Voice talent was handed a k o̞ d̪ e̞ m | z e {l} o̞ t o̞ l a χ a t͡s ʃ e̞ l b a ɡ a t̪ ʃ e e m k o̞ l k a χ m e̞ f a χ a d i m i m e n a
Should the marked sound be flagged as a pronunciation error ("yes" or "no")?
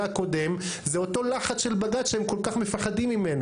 yes